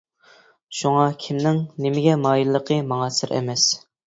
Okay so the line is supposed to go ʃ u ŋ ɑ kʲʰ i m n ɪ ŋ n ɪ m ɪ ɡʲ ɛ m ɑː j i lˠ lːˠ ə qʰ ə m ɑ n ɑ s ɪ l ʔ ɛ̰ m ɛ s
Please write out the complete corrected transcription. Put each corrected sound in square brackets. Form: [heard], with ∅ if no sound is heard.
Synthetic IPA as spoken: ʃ u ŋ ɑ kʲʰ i m n ɪ ŋ n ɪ m ɪ ɡʲ ɛ m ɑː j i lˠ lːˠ ə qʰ ə m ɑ [ŋ] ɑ s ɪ [ɾ] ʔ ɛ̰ m ɛ s